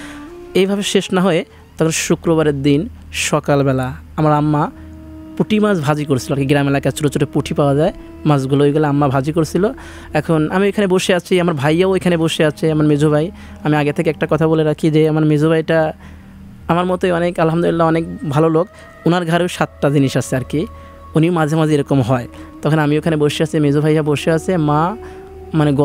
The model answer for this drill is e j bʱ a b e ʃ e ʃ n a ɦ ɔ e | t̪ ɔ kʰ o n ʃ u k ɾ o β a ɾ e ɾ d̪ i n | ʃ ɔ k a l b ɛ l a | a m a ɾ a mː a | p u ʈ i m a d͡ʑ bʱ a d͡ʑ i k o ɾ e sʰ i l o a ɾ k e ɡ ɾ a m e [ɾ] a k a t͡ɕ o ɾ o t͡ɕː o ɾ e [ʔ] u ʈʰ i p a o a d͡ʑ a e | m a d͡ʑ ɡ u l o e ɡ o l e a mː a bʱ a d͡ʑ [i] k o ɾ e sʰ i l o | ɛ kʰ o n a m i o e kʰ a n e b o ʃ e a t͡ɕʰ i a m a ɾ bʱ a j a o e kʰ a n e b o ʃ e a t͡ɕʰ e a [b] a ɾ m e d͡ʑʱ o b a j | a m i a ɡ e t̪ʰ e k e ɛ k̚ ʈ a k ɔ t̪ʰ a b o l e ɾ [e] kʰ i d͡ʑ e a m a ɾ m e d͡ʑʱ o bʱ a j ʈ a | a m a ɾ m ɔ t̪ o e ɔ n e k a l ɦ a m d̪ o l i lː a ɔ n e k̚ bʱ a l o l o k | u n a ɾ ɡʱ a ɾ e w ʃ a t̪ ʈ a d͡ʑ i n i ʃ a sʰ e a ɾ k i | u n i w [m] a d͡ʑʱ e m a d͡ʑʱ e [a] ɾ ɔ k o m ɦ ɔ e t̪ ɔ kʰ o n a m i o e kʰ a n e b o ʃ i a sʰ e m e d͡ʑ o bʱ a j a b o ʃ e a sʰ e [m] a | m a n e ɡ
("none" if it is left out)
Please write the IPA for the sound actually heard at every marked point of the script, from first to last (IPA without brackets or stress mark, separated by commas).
l, p, i, m, a, m, e, m